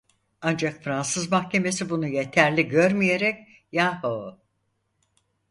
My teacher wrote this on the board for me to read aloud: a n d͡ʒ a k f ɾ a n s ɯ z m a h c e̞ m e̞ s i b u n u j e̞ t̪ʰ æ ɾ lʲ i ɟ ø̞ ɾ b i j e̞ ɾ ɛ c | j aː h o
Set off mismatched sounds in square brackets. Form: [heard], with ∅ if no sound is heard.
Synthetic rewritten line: a n d͡ʒ a k f ɾ a n s ɯ z m a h c e̞ m e̞ s i b u n u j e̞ t̪ʰ æ ɾ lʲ i ɟ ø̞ ɾ [m] i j e̞ ɾ ɛ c | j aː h o